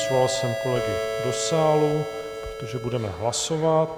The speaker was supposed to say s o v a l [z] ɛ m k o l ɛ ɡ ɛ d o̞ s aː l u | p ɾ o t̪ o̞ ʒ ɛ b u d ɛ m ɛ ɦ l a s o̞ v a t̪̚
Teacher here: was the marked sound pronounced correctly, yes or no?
no